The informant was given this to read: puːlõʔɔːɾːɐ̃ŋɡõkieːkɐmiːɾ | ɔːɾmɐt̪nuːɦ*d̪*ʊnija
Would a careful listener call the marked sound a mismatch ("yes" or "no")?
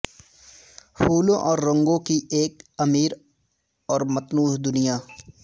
no